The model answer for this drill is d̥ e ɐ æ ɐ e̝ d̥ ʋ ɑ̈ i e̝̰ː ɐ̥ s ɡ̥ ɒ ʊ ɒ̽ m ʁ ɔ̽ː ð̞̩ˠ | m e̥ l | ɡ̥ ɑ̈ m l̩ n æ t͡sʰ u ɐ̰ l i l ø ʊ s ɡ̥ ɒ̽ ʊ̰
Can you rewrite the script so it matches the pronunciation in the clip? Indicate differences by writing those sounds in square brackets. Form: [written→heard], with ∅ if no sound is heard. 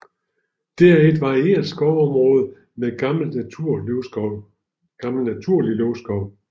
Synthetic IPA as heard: d̥ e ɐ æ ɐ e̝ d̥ ʋ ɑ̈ i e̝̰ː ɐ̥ s ɡ̥ ɒ ʊ ɒ̽ m ʁ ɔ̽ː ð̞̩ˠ | m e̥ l | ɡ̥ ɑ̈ m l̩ n æ t͡sʰ u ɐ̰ l i l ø ʊ s ɡ̥ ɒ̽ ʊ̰

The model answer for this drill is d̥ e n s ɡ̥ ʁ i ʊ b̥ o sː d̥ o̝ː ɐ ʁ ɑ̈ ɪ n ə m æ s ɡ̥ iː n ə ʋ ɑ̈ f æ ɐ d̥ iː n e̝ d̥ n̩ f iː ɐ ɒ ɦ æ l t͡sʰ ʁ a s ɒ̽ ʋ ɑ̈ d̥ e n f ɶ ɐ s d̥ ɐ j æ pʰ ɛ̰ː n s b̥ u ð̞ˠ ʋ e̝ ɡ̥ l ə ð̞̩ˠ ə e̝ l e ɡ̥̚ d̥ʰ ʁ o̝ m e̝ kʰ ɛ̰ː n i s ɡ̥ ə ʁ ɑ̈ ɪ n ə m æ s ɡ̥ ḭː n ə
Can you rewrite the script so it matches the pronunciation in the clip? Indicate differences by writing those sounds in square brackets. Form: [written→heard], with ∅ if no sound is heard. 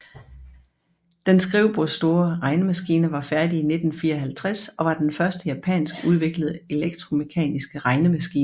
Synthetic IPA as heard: d̥ e n s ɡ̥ ʁ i ʊ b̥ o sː d̥ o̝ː ɐ ʁ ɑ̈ ɪ n ə m æ s ɡ̥ iː n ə ʋ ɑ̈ f æ ɐ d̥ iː n e̝ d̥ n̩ f iː ɐ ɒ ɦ æ l t͡sʰ ʁ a s ɒ̽ ʋ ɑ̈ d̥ e n f ɶ ɐ s d̥ [ɐ→ə] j æ pʰ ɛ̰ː n s [b̥→ɡ̥] u ð̞ˠ ʋ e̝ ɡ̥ l ə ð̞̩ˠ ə e̝ l e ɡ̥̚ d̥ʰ ʁ o̝ m e̝ kʰ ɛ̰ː n i s ɡ̥ ə ʁ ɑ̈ ɪ n ə m æ s ɡ̥ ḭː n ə

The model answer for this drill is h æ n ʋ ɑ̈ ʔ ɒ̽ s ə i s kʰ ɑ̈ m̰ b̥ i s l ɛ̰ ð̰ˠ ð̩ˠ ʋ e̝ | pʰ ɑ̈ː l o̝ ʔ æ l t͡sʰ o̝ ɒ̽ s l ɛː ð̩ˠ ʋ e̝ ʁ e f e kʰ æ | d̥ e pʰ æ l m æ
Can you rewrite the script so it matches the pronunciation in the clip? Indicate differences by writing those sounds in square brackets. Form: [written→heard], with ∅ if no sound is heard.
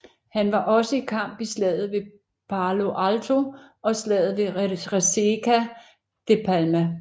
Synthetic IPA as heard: h æ n ʋ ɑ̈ ʔ ɒ̽ s ə i [s→∅] kʰ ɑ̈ m̰ b̥ i s l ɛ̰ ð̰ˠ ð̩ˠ ʋ e̝ | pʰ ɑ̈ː l o̝ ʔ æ l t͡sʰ o̝ ɒ̽ s l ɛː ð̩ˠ ʋ e̝ ʁ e [f→s] e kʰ æ | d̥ e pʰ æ l m æ

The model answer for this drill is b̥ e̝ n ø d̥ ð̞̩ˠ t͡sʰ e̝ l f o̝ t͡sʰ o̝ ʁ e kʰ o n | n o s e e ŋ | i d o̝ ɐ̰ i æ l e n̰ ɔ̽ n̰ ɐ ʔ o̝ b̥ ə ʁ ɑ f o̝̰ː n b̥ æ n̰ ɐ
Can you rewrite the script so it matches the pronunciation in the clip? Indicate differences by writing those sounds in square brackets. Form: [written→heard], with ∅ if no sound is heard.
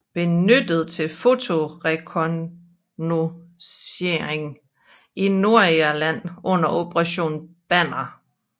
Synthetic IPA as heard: b̥ e̝ n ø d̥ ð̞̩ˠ t͡sʰ e̝ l f o̝ t͡sʰ o̝ ʁ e kʰ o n | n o s e e ŋ | i [d→n] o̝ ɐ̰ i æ l [e→æ] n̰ ɔ̽ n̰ ɐ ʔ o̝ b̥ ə ʁ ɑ [f→ɕ] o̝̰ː n b̥ æ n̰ ɐ

